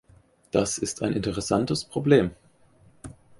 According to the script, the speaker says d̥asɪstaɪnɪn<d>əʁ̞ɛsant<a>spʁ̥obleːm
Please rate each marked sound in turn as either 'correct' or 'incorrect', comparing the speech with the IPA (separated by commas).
incorrect, incorrect